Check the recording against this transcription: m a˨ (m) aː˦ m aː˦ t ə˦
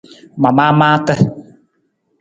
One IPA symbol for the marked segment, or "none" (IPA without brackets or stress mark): m